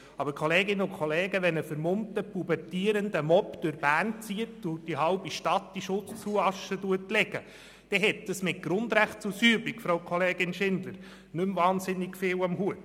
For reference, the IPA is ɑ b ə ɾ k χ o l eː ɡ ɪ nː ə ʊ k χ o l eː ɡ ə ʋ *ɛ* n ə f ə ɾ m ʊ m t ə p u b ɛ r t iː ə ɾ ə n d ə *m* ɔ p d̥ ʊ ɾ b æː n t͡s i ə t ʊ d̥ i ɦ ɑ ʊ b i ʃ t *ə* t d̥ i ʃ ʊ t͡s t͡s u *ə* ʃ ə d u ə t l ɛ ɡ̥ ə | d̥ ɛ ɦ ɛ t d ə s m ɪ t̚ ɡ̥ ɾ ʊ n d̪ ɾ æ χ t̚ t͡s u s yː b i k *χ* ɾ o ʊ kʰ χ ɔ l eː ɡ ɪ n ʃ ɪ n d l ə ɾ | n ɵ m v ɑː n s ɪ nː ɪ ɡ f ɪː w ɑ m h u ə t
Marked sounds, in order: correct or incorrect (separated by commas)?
correct, correct, incorrect, incorrect, incorrect